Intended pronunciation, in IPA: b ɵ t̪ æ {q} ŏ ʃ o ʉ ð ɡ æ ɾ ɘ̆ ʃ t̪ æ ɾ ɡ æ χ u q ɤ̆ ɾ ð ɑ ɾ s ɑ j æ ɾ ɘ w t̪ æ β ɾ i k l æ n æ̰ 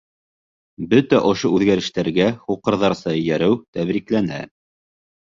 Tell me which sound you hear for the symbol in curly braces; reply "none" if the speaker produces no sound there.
ʔ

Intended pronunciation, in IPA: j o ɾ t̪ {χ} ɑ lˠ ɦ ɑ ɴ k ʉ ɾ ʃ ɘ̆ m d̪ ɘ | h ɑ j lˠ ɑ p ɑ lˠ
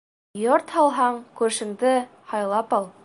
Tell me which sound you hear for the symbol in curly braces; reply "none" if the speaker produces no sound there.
h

